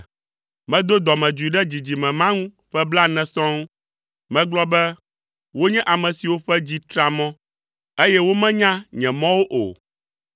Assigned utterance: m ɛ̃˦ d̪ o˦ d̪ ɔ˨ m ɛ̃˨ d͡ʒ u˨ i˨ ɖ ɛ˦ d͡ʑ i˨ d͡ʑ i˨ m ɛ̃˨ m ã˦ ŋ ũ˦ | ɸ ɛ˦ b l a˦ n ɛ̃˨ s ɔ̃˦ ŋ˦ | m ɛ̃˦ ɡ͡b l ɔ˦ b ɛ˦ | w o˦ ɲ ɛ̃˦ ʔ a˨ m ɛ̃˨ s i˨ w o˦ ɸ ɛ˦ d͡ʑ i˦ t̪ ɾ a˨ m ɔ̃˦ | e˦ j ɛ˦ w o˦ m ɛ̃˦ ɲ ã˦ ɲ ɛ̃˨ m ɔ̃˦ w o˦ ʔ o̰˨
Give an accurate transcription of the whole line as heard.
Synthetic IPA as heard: m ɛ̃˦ d̪ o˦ d̪ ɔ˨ m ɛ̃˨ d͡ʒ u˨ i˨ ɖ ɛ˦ d͡ʑ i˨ d͡ʑ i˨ m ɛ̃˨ m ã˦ ŋ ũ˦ | ɸ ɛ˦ b l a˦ n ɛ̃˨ s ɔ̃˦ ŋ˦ | m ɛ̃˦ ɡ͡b l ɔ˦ b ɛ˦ | w o˦ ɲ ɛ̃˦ ʔ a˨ m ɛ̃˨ s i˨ w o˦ ɸ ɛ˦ d͡ʑ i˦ t̪ ɾ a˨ m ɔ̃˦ | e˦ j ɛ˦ w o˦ m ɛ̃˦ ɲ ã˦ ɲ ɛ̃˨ m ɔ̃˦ w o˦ ʔ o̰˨